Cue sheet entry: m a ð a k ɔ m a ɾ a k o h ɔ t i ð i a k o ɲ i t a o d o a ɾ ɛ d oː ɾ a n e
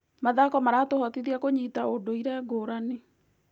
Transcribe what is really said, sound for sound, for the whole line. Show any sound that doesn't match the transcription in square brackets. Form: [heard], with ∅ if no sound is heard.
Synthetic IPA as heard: m a ð a k ɔ m a ɾ a [t] o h ɔ t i ð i a k o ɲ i t a o d o [i] ɾ ɛ [ɡ] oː ɾ a n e